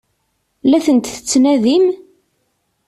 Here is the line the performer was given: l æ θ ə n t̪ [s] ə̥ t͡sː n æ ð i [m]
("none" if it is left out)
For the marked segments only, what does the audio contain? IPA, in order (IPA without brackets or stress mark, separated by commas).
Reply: θ, m